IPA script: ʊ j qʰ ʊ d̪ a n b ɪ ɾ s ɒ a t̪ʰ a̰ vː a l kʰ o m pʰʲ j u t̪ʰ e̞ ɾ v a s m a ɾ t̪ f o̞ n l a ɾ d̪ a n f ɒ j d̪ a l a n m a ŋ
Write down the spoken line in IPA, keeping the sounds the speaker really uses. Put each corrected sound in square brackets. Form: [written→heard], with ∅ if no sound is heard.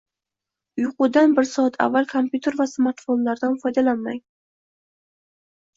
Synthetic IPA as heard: ʊ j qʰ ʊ d̪ a n b ɪ ɾ s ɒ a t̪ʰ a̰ vː a l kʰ o m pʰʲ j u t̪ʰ e̞ ɾ v a s m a ɾ t̪ f o̞ n l a ɾ d̪ a n f ɒ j d̪ a l a n m a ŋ